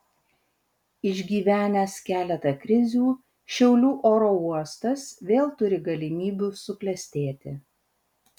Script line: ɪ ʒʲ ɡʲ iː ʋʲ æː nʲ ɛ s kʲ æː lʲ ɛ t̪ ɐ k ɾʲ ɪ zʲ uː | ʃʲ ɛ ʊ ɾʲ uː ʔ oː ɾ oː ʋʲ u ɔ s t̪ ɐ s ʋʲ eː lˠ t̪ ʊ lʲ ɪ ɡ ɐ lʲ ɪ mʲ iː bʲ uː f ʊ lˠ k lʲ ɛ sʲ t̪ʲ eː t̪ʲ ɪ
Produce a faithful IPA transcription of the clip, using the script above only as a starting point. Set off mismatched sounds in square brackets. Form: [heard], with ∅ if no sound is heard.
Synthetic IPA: ɪ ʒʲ ɡʲ iː ʋʲ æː nʲ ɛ s kʲ æː lʲ ɛ t̪ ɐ k ɾʲ ɪ zʲ uː | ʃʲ ɛ ʊ [lʲ] uː ʔ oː ɾ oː [∅] u ɔ s t̪ ɐ s ʋʲ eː lˠ t̪ ʊ [ɾʲ] ɪ ɡ ɐ lʲ ɪ mʲ iː bʲ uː [s] ʊ [∅] k lʲ ɛ sʲ t̪ʲ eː t̪ʲ ɪ

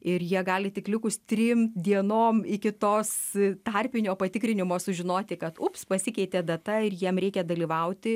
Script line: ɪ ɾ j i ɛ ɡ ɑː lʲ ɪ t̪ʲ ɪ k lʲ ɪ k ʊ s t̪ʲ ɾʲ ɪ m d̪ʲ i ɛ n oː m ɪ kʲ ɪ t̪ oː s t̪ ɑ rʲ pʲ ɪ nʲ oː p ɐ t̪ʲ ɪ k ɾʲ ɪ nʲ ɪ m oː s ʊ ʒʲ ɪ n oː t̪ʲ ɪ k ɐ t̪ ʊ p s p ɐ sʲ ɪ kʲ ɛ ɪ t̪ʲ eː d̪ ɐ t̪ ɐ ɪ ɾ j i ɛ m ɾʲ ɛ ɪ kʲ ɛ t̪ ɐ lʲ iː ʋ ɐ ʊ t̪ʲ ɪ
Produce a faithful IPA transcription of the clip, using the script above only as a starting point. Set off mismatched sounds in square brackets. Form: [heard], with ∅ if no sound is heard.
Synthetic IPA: ɪ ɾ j i ɛ ɡ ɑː lʲ ɪ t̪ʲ ɪ k lʲ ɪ k ʊ s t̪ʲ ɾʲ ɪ m d̪ʲ i ɛ n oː m ɪ kʲ ɪ t̪ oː s t̪ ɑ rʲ pʲ ɪ nʲ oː p ɐ t̪ʲ ɪ k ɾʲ ɪ nʲ ɪ m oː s ʊ ʒʲ ɪ n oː t̪ʲ ɪ k ɐ t̪ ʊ p s p ɐ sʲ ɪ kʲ ɛ ɪ t̪ʲ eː d̪ ɐ t̪ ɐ ɪ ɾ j i ɛ m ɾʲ ɛ ɪ kʲ ɛ [d̪] ɐ lʲ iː ʋ ɐ ʊ t̪ʲ ɪ

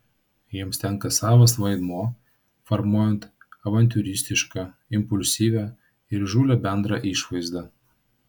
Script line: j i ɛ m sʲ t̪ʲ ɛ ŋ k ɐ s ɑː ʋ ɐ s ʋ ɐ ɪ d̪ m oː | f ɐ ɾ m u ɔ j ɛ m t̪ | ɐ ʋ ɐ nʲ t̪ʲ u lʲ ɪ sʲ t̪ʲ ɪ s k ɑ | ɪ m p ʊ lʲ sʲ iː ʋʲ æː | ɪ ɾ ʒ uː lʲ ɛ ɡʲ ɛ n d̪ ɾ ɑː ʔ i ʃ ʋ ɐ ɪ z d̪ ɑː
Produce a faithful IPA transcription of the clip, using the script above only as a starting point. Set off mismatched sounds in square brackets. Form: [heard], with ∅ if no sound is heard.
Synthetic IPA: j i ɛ m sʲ t̪ʲ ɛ ŋ k ɐ s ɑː ʋ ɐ s ʋ ɐ ɪ d̪ m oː | f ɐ ɾ m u ɔ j ɛ [n] t̪ | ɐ ʋ ɐ nʲ t̪ʲ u [ɾʲ] ɪ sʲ t̪ʲ ɪ [ʃ] k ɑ | ɪ m p ʊ lʲ sʲ iː ʋʲ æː | ɪ ɾ ʒ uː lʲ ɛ [bʲ] ɛ n d̪ ɾ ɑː ʔ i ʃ ʋ ɐ ɪ z d̪ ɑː

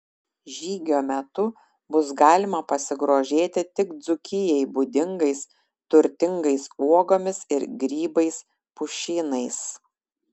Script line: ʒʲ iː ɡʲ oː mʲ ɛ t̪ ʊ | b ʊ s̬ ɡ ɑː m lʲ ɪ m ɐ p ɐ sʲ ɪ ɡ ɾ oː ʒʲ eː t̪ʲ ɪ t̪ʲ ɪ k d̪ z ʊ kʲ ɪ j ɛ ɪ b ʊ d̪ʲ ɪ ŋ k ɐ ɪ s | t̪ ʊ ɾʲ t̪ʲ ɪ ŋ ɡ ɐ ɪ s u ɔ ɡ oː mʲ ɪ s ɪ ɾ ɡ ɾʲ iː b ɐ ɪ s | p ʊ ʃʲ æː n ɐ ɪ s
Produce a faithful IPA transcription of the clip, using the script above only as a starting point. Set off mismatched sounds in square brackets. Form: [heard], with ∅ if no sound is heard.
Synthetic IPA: ʒʲ iː ɡʲ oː mʲ ɛ t̪ ʊ | b ʊ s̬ ɡ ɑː [∅] lʲ ɪ m ɐ p ɐ sʲ ɪ ɡ ɾ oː ʒʲ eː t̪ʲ ɪ t̪ʲ ɪ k d̪ z ʊ kʲ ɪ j ɛ ɪ b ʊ d̪ʲ ɪ ŋ [ɡ] ɐ ɪ s | t̪ ʊ ɾʲ t̪ʲ ɪ ŋ ɡ ɐ ɪ s u ɔ ɡ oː mʲ ɪ s ɪ ɾ ɡ ɾʲ iː b ɐ ɪ s | p ʊ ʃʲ [iː] n ɐ ɪ s

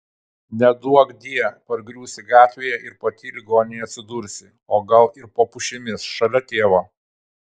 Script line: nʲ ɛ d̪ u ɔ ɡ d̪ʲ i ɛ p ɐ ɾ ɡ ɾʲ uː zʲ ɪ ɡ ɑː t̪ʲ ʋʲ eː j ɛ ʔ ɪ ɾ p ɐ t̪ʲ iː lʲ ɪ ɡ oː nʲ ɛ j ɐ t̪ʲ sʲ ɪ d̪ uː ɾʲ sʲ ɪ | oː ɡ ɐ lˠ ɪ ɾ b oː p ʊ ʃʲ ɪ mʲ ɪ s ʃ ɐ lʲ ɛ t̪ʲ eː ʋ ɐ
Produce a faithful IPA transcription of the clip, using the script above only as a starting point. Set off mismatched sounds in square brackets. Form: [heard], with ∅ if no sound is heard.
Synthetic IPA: nʲ ɛ d̪ u ɔ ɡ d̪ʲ i ɛ p ɐ ɾ ɡ ɾʲ uː [sʲ] ɪ ɡ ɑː t̪ʲ ʋʲ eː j ɛ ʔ ɪ ɾ p ɐ t̪ʲ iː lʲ ɪ ɡ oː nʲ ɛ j ɐ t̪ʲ sʲ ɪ d̪ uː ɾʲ sʲ ɪ | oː ɡ ɐ lˠ ɪ ɾ [p] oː p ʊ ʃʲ ɪ mʲ ɪ s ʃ ɐ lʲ ɛ t̪ʲ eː ʋ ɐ

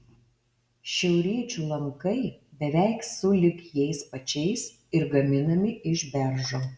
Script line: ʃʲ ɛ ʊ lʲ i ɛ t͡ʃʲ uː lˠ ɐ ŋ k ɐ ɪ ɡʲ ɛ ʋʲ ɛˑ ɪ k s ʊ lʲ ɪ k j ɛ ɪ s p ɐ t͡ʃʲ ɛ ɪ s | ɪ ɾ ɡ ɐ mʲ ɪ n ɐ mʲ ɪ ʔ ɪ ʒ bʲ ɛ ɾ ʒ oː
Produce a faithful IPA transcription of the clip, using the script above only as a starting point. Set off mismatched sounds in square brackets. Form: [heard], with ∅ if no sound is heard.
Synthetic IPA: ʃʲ ɛ ʊ [ɾʲ] i ɛ t͡ʃʲ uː lˠ ɐ ŋ k ɐ ɪ [bʲ] ɛ ʋʲ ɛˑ ɪ k s ʊ lʲ ɪ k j ɛ ɪ s p ɐ t͡ʃʲ ɛ ɪ s | ɪ ɾ ɡ ɐ mʲ ɪ n ɐ mʲ ɪ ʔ ɪ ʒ bʲ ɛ ɾ ʒ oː

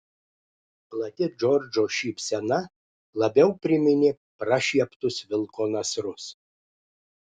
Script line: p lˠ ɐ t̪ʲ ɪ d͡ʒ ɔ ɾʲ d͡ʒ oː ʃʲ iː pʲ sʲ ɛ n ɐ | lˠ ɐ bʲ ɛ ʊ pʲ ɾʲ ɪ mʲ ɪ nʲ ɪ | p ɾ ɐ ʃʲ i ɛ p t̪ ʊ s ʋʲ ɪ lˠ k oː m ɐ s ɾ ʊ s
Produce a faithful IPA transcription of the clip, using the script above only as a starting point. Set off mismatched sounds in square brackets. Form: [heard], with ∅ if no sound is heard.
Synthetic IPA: p lˠ ɐ t̪ʲ ɪ d͡ʒ ɔ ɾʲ d͡ʒ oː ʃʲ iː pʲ sʲ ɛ n ɐ | lˠ ɐ bʲ ɛ ʊ pʲ ɾʲ ɪ mʲ ɪ nʲ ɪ | p ɾ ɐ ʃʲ i ɛ p t̪ ʊ s ʋʲ ɪ lˠ k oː [n] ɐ s ɾ ʊ s

